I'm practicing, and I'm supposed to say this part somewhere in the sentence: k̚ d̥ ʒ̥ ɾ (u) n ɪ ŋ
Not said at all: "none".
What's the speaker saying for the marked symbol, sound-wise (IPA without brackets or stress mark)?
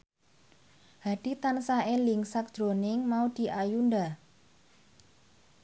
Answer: o